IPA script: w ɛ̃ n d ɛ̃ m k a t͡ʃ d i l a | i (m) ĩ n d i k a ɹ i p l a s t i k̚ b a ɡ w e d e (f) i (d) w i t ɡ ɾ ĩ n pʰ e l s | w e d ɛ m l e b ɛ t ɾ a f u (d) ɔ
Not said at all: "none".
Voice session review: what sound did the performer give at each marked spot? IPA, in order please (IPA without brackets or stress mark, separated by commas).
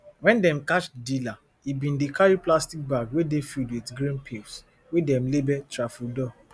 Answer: b, f, d, d